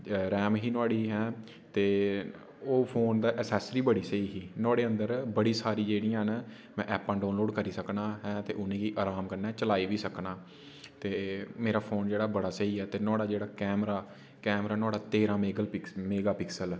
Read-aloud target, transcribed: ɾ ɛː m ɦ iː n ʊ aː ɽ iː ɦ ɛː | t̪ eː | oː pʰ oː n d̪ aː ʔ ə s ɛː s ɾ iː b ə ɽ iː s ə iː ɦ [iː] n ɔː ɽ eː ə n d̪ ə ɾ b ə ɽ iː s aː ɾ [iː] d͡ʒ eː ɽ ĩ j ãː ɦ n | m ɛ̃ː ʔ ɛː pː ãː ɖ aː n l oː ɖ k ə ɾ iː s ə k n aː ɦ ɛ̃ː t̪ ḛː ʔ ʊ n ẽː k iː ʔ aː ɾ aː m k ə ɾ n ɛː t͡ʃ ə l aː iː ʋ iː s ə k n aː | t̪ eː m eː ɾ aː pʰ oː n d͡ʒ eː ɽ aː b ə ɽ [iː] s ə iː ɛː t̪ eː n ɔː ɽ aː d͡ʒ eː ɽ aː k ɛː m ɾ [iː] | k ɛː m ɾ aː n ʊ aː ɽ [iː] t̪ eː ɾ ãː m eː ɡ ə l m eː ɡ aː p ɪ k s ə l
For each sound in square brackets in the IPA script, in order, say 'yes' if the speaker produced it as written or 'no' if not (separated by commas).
yes, yes, no, no, no